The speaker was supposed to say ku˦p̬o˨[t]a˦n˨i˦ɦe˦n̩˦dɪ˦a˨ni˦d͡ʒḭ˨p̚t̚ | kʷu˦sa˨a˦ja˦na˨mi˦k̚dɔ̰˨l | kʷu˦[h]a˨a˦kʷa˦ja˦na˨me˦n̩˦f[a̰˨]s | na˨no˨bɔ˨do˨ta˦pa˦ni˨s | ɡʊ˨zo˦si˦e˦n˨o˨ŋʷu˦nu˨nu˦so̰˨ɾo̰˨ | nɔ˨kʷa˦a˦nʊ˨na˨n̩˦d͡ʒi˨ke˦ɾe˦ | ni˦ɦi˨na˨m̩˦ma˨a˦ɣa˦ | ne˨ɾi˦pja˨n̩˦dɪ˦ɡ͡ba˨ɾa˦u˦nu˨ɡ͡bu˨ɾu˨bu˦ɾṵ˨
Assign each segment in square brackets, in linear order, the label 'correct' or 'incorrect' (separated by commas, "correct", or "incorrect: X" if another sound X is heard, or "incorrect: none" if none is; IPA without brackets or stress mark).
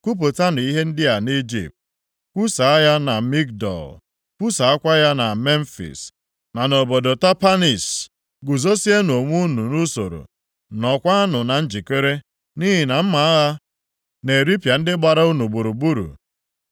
correct, incorrect: s, incorrect: ḭ˨